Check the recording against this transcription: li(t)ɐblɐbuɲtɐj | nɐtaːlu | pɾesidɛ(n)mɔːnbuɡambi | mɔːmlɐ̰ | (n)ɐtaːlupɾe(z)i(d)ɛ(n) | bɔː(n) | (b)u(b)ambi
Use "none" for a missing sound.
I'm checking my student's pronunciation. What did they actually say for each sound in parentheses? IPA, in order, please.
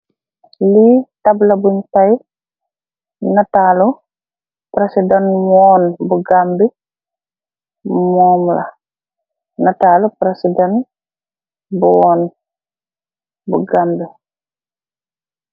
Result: t, n, n, s, d, n, n, b, ɡ

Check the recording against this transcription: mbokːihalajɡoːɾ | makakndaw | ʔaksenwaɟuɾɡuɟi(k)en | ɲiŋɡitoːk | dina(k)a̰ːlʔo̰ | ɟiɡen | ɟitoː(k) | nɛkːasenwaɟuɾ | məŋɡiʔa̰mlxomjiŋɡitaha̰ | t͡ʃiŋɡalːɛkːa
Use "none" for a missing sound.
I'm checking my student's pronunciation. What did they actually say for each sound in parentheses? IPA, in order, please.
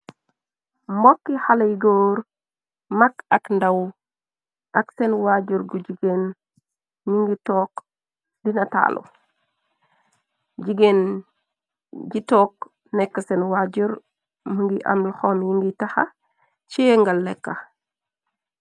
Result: ɡ, t, k

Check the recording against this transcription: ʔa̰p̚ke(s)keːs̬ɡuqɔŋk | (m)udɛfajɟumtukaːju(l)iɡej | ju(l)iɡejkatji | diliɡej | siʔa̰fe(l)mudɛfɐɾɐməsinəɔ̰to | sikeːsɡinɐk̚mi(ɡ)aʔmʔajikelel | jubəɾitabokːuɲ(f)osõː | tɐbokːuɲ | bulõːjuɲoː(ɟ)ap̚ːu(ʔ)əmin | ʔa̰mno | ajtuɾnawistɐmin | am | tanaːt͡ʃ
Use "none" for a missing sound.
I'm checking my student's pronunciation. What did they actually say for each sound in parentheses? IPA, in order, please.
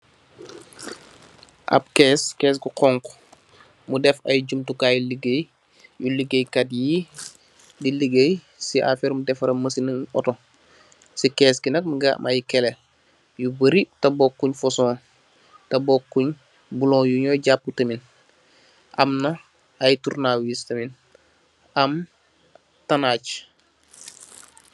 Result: s, m, l, l, ɾ, ɡ, f, ɟ, t

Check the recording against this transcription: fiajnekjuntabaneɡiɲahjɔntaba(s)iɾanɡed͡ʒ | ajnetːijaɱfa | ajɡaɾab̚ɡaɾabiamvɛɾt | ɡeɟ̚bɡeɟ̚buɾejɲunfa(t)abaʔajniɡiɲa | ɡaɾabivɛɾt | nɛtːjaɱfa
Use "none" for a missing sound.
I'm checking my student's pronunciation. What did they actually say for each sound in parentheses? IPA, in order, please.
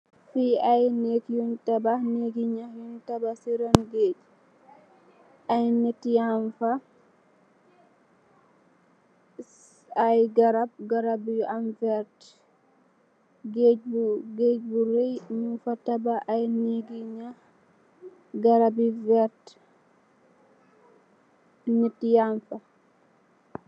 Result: s, t

